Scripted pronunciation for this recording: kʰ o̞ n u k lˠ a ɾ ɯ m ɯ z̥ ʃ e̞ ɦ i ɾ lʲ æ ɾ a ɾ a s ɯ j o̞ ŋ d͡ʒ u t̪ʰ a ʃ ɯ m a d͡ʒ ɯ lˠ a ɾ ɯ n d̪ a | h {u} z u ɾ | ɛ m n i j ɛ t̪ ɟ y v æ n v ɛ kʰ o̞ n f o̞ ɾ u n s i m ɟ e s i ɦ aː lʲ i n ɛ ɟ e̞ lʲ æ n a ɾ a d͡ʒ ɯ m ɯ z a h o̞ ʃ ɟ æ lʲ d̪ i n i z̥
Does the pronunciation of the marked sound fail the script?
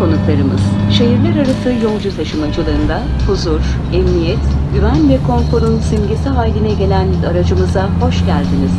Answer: no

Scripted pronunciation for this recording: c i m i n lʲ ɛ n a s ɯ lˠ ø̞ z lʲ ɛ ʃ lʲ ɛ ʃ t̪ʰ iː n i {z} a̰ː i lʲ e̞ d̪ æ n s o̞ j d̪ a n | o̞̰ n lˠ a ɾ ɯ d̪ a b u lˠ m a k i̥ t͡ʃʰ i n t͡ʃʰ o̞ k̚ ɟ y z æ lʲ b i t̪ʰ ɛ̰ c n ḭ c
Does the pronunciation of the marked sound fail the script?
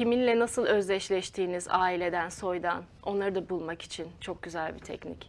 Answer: no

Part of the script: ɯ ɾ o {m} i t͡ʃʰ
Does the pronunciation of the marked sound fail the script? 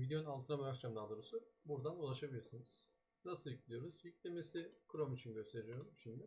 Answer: no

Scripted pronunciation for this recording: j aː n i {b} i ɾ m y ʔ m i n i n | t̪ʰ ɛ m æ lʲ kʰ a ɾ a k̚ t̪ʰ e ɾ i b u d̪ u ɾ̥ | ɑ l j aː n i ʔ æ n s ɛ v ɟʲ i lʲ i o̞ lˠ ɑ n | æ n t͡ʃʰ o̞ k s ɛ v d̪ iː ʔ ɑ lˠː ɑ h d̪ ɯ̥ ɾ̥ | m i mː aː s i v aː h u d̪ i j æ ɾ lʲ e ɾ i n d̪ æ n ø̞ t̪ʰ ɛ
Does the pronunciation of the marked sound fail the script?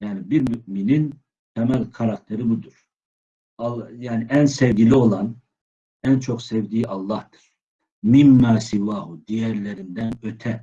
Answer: no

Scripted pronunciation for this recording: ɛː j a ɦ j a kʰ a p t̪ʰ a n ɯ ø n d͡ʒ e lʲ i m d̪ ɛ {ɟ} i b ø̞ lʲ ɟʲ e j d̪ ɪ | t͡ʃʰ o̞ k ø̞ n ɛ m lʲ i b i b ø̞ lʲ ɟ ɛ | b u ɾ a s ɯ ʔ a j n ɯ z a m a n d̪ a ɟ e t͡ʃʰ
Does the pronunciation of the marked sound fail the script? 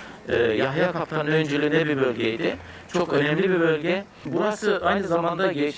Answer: yes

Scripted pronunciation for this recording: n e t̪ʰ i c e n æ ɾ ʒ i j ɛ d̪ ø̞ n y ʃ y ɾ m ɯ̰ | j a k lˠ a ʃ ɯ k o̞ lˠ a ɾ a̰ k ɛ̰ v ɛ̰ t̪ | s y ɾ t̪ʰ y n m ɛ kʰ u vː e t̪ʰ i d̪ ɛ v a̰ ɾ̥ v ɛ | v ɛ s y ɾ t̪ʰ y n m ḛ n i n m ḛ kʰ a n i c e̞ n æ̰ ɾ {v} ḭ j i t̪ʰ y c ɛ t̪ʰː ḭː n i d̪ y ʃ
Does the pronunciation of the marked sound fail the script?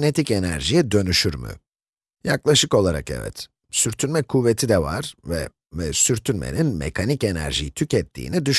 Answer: yes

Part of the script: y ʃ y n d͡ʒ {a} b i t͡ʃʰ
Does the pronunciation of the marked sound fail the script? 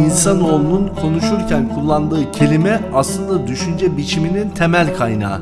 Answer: yes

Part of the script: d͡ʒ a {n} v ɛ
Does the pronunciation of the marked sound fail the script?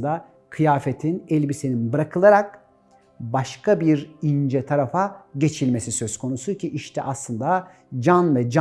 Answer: no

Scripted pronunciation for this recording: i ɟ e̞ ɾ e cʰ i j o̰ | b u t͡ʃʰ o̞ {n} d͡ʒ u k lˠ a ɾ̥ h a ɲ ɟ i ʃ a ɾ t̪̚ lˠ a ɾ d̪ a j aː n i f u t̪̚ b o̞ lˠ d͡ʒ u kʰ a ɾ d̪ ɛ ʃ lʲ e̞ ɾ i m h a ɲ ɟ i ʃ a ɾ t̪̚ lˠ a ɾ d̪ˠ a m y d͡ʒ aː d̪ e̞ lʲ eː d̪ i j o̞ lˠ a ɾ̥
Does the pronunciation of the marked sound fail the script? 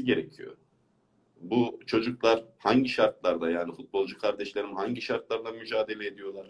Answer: yes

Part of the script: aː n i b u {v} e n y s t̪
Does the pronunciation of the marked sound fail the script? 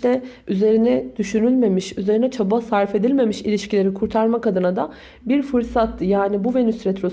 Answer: no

